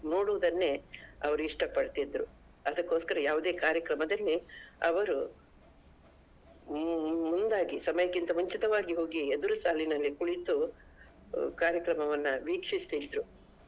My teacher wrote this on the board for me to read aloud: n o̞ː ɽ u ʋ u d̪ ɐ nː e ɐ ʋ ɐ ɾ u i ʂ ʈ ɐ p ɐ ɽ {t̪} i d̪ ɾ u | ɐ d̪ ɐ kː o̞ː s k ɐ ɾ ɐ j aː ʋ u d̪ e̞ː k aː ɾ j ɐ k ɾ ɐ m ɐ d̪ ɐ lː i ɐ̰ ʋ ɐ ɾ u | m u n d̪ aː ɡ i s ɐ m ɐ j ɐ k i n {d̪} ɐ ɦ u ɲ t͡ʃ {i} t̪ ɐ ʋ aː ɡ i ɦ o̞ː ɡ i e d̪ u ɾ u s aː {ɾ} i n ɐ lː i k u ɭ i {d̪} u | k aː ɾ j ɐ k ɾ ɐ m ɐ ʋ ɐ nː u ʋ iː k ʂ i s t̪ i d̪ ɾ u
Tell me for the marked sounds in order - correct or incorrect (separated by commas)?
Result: correct, incorrect, correct, incorrect, incorrect